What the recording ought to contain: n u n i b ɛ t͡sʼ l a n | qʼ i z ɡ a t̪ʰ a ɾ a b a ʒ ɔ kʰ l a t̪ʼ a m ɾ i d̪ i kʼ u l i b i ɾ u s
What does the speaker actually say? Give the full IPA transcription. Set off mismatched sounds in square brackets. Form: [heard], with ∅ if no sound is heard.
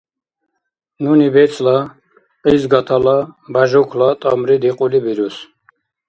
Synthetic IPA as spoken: n u n i b ɛ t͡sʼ l a [∅] | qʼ i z ɡ a t̪ʰ a [l] a b a ʒ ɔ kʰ l a t̪ʼ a m ɾ i d̪ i [qʼ] u l i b i ɾ u s